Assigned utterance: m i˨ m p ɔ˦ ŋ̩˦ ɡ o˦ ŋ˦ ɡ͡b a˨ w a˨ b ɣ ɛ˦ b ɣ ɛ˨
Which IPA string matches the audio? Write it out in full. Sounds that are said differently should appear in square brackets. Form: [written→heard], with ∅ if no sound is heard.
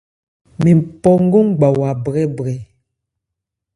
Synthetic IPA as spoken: m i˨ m p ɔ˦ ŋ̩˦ ɡ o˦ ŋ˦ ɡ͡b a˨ w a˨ b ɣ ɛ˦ b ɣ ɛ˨

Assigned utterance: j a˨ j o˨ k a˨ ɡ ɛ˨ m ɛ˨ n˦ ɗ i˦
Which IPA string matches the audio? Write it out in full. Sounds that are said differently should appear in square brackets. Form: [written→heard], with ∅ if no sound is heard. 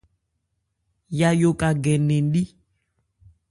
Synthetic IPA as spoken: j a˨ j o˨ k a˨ ɡ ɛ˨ [m→n] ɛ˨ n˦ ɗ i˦

